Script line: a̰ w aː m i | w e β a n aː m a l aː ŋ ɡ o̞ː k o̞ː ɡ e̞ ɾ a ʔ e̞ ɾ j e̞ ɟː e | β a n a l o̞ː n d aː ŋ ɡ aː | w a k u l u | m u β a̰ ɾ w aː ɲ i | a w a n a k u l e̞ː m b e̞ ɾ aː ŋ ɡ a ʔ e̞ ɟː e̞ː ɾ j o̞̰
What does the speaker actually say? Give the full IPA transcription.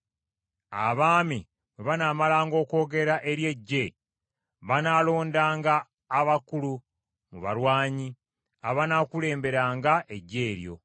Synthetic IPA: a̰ β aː m i | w e β a n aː m a l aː ŋ ɡ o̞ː k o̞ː ɡ e̞ ɾ a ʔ e̞ ɾ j e̞ ɟː e | β a n a l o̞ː n d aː ŋ ɡ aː | β a k u l u | m u β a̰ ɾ w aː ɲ i | a β a n a k u l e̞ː m b e̞ ɾ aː ŋ ɡ a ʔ e̞ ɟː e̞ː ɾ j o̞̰